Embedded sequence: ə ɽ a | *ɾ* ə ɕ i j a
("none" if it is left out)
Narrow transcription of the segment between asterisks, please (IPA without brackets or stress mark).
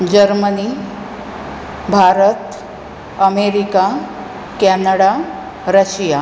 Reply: ɾ